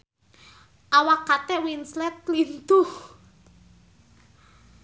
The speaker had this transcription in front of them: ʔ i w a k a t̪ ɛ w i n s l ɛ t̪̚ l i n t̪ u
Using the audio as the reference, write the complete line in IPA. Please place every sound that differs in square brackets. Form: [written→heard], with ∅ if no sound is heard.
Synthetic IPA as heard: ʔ [i→a] w a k a t̪ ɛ w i n s l ɛ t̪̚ l i n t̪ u